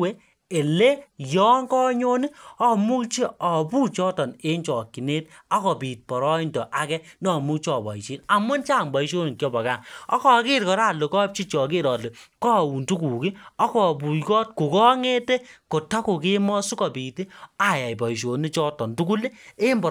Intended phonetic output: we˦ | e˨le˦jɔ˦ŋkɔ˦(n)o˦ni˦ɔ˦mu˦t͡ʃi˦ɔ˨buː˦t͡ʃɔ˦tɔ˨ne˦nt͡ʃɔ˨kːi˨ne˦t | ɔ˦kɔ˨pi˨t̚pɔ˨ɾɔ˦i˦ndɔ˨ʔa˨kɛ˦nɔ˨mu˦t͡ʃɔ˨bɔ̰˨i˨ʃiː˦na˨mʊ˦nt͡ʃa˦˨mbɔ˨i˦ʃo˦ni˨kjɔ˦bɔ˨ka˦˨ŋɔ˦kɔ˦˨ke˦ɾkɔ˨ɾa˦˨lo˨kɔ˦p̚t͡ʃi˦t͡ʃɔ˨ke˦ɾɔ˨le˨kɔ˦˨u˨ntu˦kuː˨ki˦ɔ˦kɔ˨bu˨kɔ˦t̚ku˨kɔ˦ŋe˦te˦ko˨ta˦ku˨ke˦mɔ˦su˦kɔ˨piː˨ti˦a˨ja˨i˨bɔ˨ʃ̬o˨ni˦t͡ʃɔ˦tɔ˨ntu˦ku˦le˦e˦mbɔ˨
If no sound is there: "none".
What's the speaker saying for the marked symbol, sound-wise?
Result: ɲ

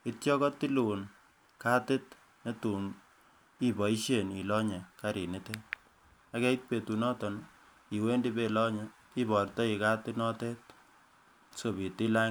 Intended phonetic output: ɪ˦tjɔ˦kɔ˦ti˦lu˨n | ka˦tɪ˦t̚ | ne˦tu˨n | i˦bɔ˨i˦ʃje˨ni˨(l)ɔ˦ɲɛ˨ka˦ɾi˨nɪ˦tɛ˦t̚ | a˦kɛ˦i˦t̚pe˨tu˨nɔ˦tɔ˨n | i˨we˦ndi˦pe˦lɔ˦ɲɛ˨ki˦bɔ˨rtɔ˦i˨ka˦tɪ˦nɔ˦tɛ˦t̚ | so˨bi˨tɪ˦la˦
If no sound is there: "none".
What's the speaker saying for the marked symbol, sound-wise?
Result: l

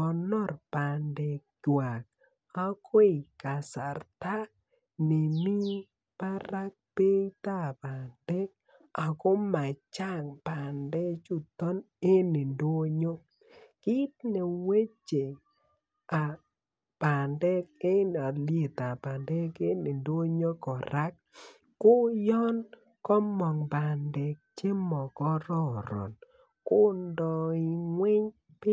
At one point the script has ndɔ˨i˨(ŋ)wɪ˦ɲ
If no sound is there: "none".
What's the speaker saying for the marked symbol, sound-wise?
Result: ŋ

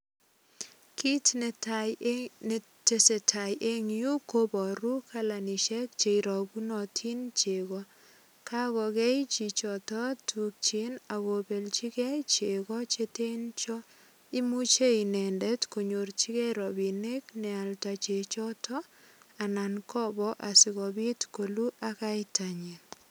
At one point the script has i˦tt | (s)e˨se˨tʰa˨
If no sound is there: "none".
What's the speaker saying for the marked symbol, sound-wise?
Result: t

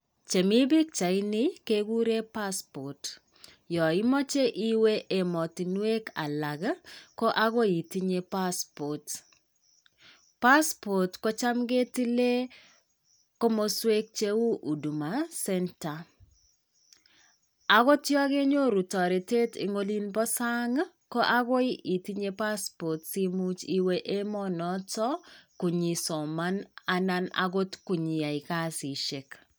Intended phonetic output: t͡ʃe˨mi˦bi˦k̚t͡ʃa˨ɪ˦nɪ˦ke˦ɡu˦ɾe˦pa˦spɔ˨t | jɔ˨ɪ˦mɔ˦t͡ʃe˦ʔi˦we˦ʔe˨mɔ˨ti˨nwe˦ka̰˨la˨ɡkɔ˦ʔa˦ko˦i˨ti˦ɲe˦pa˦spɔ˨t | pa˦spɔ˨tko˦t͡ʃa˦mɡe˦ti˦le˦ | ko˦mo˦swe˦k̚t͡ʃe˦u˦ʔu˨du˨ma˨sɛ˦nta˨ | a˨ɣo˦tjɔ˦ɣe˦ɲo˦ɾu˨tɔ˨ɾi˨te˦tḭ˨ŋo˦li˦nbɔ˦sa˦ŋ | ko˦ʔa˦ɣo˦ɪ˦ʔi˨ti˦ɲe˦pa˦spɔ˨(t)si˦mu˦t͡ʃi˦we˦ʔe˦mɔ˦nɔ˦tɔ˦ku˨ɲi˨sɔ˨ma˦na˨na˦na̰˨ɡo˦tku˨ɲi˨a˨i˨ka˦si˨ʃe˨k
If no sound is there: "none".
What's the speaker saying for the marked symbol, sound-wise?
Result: t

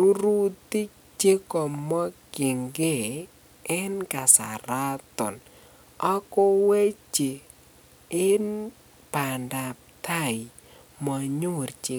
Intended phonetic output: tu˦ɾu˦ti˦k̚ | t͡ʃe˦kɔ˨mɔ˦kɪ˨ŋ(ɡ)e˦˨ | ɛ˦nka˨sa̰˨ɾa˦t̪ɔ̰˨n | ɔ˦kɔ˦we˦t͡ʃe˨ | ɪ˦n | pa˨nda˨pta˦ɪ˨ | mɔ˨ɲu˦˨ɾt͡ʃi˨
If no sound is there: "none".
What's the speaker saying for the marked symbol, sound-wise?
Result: ɡ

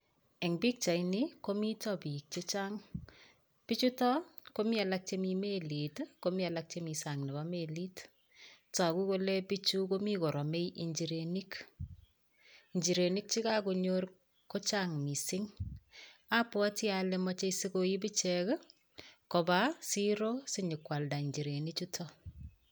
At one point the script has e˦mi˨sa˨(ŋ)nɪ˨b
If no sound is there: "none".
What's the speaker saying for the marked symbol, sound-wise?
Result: ŋ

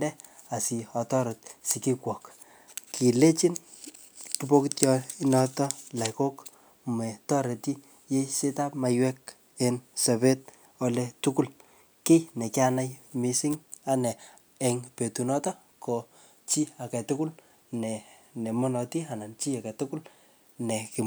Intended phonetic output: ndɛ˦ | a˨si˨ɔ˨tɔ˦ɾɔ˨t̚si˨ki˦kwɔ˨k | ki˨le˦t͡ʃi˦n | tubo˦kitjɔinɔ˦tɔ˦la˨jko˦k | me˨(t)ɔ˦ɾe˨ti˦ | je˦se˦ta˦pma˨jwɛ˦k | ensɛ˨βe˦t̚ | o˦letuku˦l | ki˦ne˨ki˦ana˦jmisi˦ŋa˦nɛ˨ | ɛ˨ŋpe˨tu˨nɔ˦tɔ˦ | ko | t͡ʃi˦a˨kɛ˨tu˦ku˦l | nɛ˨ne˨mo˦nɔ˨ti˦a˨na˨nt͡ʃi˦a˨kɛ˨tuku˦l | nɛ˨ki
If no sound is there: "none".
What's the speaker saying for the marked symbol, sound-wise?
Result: t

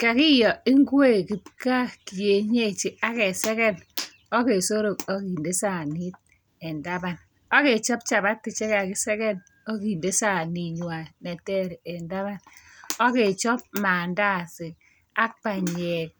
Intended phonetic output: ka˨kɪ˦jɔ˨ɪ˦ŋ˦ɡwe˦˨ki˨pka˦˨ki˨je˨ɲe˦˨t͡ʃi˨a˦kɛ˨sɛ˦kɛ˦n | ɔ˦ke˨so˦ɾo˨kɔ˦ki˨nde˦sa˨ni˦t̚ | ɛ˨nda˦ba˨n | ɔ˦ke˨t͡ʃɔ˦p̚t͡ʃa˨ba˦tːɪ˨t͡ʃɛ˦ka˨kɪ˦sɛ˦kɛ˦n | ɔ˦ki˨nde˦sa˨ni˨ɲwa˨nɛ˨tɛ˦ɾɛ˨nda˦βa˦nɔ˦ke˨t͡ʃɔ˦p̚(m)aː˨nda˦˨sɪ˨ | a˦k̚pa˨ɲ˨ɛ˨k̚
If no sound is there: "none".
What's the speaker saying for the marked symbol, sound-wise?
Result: m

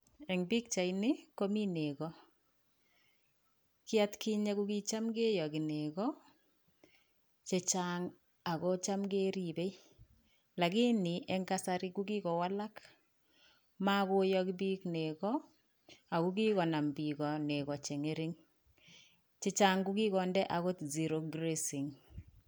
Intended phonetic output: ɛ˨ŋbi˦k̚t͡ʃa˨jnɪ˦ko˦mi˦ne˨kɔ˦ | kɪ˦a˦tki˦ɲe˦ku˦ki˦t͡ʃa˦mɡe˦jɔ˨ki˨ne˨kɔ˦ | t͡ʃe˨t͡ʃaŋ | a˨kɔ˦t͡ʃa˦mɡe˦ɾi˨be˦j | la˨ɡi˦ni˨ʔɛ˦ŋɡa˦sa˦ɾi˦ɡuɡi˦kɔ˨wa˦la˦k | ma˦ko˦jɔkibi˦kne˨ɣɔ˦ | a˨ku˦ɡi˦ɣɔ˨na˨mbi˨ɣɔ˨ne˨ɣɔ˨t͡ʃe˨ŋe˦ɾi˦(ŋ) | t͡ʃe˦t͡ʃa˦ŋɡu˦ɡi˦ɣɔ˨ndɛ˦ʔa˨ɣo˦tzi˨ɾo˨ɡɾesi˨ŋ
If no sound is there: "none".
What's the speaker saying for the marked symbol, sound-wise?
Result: ŋ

